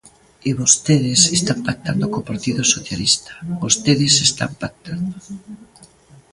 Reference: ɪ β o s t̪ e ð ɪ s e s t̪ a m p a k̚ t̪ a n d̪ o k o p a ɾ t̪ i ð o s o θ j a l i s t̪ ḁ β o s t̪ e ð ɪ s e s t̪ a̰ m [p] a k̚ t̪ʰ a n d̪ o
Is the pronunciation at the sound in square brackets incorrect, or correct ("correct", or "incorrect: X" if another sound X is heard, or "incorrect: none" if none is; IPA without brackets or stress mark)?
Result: correct